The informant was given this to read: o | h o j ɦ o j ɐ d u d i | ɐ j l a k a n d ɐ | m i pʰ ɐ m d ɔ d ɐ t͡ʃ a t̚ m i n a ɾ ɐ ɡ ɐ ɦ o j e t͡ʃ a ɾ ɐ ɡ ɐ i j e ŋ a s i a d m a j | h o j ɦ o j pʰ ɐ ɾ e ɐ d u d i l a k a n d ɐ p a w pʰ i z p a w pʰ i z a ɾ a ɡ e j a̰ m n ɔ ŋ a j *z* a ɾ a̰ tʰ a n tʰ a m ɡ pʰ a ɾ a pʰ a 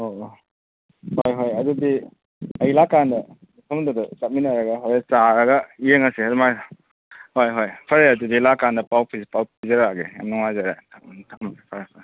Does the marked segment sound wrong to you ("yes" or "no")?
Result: no